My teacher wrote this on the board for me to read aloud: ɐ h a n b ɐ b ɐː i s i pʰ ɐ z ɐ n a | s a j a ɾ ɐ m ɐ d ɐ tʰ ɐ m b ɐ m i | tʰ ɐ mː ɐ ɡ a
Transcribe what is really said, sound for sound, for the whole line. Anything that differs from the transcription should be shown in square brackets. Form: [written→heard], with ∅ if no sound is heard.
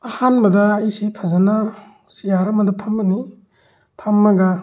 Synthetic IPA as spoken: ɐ h a n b ɐ [b→d] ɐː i s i pʰ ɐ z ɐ n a | s [a→i] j a ɾ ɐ m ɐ d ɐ [tʰ→pʰ] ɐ m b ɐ [m→n] i | [tʰ→pʰ] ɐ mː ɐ ɡ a